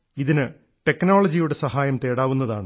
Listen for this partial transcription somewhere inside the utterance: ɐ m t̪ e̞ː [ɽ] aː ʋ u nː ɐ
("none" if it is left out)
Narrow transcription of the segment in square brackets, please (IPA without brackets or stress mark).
ɽ